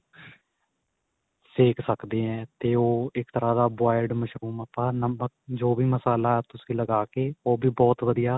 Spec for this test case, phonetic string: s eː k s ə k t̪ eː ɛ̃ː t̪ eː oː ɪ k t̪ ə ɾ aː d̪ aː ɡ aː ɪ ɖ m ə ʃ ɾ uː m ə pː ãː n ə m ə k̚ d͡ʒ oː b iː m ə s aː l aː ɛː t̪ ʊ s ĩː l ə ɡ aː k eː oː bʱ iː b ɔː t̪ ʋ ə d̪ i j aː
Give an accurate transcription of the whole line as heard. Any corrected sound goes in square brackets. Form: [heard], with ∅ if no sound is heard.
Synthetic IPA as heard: s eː k s ə k [d̪] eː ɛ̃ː t̪ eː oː ɪ k t̪ ə ɾ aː d̪ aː [b] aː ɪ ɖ m ə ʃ ɾ uː m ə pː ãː n ə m ə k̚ d͡ʒ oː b iː m ə s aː l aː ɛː t̪ ʊ s ĩː l ə ɡ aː k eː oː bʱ iː b ɔː t̪ ʋ ə d̪ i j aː

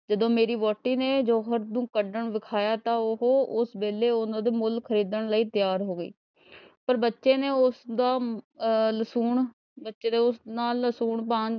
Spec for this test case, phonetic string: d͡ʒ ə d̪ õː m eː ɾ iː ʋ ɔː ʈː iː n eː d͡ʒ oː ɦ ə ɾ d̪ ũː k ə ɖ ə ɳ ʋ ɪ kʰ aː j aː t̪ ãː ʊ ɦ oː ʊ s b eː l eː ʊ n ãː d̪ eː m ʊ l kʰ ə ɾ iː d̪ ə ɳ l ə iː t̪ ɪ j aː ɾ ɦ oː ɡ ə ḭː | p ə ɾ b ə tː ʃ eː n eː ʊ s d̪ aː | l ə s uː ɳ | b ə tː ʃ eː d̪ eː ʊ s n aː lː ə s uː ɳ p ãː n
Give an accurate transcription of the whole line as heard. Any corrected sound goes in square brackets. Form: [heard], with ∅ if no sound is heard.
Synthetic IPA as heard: d͡ʒ ə d̪ õː m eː ɾ iː ʋ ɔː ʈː iː n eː d͡ʒ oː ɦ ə ɾ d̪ ũː k ə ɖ ə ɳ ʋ ɪ kʰ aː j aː t̪ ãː ʊ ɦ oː ʊ s b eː l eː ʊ n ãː d̪ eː m ʊ l kʰ ə ɾ iː d̪ ə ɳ l ə iː t̪ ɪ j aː ɾ ɦ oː ɡ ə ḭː | p ə ɾ b ə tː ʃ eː n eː ʊ s d̪ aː | l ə s uː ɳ | b ə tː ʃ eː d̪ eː ʊ s n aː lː ə s uː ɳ p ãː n

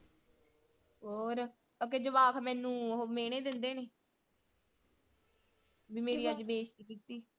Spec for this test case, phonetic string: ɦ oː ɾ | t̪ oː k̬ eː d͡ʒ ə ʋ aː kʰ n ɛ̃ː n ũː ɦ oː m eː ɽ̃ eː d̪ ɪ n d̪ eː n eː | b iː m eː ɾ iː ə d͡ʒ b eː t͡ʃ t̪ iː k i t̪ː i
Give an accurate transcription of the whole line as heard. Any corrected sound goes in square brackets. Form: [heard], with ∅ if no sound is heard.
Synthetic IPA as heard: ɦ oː ɾ | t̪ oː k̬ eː d͡ʒ ə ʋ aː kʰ [m] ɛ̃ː n ũː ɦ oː m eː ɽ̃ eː d̪ ɪ n d̪ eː n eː | b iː m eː ɾ iː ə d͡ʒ b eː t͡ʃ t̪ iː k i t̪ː [iː]

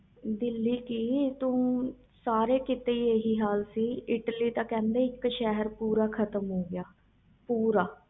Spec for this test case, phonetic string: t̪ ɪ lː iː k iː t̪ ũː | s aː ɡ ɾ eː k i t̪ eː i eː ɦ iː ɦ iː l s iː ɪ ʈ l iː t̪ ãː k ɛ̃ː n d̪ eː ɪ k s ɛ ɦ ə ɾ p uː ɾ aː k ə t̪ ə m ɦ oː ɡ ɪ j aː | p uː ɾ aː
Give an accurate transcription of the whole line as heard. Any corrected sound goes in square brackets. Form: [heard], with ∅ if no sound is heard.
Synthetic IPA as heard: [d̪] ɪ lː iː k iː t̪ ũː | s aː [∅] ɾ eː k [ɪ] t̪ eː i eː ɦ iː ɦ [aː] l s iː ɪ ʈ l iː t̪ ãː k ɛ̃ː n d̪ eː ɪ k [ʃ] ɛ ɦ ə ɾ p uː ɾ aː [kʰ] ə t̪ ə m ɦ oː ɡ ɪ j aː | p uː ɾ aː

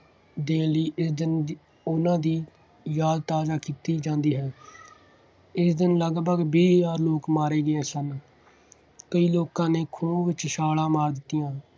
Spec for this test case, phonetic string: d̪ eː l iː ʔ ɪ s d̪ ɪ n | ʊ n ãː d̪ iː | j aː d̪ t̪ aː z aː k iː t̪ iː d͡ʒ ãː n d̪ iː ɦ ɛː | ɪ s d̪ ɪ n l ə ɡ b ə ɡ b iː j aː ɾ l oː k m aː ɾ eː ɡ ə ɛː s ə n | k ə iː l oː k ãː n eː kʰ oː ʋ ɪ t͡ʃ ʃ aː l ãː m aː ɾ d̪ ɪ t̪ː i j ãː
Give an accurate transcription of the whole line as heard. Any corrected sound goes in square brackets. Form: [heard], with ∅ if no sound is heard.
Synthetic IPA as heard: d̪ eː l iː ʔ ɪ s d̪ ɪ n | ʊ n ãː d̪ iː | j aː d̪ t̪ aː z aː k iː t̪ iː d͡ʒ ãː n d̪ iː ɦ ɛː | ɪ s d̪ ɪ n l ə ɡ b ə ɡ b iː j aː ɾ l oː k m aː ɾ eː ɡ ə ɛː s ə n | k ə iː l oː k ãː n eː kʰ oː ʋ ɪ t͡ʃ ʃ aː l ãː m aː ɾ d̪ ɪ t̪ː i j ãː

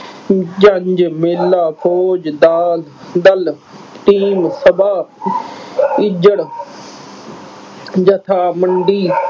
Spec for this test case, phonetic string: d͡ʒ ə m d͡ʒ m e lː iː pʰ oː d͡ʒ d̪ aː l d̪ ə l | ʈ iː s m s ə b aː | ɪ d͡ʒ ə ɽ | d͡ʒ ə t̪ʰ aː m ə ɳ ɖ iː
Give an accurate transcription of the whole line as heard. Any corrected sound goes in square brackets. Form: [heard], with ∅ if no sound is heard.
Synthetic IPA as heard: d͡ʒ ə [ɲ] d͡ʒ m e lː [aː] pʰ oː d͡ʒ d̪ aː l d̪ ə l | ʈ iː [∅] m s ə b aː | ɪ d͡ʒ ə ɽ | d͡ʒ ə t̪ʰ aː m ə ɳ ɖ iː

